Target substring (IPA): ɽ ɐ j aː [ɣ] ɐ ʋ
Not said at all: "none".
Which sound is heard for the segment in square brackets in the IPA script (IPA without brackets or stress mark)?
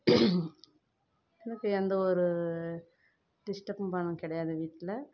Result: ð